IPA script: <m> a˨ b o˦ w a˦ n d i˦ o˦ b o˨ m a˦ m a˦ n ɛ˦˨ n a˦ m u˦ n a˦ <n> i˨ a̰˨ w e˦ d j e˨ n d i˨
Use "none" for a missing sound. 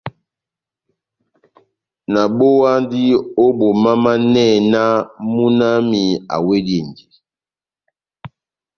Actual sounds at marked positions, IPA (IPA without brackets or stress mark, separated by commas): n, m